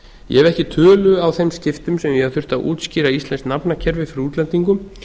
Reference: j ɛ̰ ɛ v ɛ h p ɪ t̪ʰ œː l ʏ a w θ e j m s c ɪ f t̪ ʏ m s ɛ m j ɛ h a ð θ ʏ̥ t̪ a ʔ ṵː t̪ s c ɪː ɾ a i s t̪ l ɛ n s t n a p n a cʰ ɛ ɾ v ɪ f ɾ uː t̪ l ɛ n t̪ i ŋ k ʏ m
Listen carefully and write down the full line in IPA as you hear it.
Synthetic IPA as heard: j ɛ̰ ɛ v ɛ h c ɪ t̪ʰ œː l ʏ a w θ e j m s c ɪ f t̪ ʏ m s ɛ m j ɛ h a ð θ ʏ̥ t̪ a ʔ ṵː t̪ s c iː ɾ a i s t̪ l ɛ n s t n a p n a cʰ ɛ ɾ v ɪ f ɾ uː t̪ l ɛ n t̪ i ŋ k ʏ m